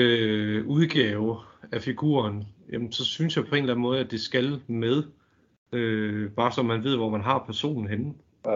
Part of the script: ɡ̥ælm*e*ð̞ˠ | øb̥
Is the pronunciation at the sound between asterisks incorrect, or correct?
correct